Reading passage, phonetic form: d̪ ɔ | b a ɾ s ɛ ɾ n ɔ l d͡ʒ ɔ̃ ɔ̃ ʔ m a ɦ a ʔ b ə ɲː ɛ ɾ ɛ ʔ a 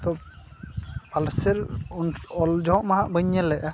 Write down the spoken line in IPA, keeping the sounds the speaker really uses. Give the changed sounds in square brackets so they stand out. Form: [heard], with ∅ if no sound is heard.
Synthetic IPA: [t̪] ɔ | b a [l] s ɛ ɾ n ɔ l d͡ʒ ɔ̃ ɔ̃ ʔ m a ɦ a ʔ b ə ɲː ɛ [l] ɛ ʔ a